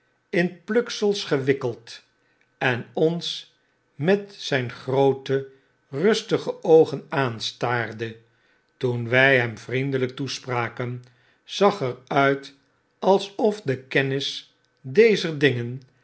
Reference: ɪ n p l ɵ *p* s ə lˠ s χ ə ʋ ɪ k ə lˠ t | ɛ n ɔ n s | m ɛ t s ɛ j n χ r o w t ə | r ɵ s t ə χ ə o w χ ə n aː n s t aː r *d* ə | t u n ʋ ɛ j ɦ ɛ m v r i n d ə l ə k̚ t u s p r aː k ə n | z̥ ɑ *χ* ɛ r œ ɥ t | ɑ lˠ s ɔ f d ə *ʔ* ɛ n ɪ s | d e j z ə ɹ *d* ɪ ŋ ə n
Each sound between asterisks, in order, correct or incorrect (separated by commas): incorrect, correct, correct, incorrect, correct